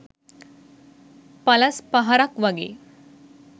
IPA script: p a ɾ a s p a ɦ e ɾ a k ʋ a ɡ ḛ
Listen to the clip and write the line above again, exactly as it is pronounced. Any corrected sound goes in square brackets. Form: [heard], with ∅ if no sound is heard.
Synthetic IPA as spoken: p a [l] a s p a ɦ [a] ɾ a k ʋ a ɡ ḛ